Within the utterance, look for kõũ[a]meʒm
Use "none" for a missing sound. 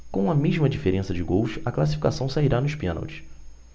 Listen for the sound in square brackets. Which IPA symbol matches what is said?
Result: ɐ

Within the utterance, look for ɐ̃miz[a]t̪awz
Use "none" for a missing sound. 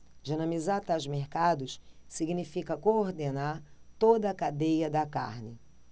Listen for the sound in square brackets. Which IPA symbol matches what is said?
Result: a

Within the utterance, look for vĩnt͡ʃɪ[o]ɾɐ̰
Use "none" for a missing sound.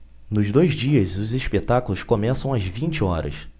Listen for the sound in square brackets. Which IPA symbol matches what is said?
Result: ɔ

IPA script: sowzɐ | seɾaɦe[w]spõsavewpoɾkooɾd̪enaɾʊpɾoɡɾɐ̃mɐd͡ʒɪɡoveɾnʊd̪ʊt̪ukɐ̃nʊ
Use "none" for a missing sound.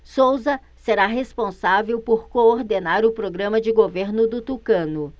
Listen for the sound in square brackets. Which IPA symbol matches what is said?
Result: none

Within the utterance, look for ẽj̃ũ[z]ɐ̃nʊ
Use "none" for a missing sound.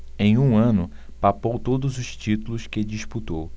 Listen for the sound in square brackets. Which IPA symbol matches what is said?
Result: none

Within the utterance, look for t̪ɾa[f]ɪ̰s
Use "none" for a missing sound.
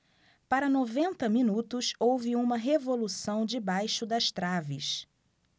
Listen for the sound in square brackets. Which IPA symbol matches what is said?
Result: v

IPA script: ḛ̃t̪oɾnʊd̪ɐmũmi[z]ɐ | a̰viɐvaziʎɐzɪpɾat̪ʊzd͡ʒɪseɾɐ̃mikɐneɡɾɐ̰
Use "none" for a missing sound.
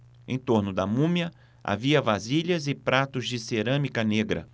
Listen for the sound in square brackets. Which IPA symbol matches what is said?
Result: none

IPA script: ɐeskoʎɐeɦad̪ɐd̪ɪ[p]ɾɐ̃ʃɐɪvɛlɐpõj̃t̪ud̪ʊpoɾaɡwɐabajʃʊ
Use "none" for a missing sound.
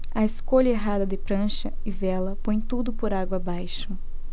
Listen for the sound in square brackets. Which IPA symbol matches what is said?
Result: p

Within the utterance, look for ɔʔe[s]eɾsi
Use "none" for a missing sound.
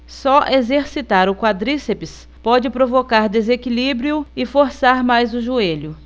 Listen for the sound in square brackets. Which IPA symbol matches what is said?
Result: z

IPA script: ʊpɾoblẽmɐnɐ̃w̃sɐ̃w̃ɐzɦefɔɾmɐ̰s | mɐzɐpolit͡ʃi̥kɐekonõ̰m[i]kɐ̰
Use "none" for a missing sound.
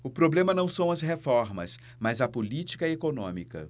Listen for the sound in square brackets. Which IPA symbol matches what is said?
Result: i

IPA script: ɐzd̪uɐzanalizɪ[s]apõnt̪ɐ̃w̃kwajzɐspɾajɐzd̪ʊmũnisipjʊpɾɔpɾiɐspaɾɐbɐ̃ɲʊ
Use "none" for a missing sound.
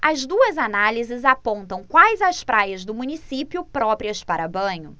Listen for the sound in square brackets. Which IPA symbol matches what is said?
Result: z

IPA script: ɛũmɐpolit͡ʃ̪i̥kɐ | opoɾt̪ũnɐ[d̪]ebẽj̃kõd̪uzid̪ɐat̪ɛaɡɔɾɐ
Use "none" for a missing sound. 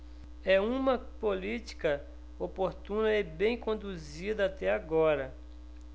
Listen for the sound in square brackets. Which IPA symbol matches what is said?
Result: none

